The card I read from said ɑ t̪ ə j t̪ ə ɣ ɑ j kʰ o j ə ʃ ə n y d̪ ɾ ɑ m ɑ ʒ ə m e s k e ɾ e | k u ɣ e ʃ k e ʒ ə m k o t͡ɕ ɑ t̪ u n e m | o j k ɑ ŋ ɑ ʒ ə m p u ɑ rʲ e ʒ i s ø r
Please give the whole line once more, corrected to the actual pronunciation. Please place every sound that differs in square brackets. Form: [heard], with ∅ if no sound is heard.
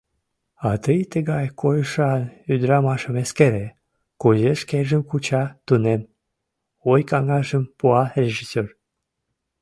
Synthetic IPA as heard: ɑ t̪ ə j t̪ ə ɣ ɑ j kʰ o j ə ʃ [ɑ] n y d̪ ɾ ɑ m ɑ [ʃ] ə m e s k e ɾ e | k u [z] e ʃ k e ʒ ə m k [u] t͡ɕ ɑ t̪ u n e m | o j k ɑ ŋ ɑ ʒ ə m p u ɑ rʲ e ʒ i s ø r